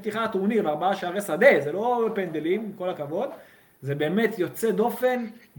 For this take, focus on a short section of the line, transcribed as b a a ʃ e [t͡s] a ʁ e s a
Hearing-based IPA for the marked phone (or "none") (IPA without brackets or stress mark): none